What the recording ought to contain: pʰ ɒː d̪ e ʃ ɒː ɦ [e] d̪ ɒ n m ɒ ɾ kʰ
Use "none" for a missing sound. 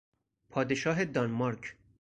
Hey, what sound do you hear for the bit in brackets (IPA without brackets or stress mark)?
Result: e